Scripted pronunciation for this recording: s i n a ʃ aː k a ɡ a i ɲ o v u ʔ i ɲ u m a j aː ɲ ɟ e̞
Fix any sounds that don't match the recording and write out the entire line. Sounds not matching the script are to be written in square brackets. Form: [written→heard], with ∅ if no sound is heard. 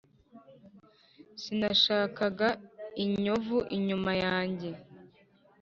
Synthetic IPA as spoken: s i n a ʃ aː k a ɡ a i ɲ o v u ʔ i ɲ u m a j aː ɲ ɟ e̞